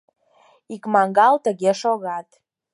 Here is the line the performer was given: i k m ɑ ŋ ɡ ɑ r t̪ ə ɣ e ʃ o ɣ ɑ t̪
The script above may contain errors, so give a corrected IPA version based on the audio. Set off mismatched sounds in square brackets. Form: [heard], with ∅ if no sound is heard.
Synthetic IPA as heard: i k m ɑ ŋ ɡ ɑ [l] t̪ ə ɣ e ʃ o ɣ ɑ t̪